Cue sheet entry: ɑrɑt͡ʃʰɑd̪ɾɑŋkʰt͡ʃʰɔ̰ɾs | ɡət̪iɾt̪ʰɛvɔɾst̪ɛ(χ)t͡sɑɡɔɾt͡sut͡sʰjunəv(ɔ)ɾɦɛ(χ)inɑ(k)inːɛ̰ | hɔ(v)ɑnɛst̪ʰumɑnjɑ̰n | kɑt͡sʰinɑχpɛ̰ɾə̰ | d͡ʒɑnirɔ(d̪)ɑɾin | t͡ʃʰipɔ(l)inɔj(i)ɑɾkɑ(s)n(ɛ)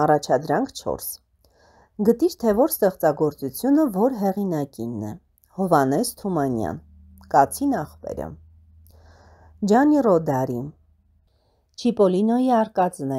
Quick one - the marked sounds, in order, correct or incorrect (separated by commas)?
correct, correct, incorrect, correct, correct, correct, correct, correct, incorrect, correct